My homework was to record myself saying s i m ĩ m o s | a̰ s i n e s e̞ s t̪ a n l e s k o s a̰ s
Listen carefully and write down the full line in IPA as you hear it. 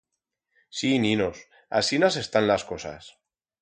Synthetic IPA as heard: s i n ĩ n o s | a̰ s i n a s e̞ s t̪ a n l a s k o s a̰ s